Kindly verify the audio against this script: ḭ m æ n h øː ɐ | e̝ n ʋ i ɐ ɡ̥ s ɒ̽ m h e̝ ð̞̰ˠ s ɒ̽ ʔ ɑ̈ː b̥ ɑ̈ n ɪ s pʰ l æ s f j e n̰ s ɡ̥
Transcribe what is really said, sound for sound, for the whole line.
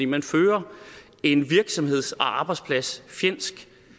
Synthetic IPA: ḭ m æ n f øː ɐ | e̝ n ʋ i ɐ ɡ̥ s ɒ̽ m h e̝ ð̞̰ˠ s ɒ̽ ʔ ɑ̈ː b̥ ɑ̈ ɪ s pʰ l æ s f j e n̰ s ɡ̥